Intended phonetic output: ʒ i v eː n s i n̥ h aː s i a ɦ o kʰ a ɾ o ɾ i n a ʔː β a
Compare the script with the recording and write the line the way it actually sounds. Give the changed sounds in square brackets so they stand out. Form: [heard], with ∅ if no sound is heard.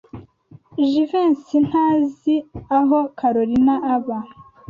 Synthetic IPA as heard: ʒ i v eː n s i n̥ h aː [z] i a ɦ o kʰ a ɾ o ɾ i n a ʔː β a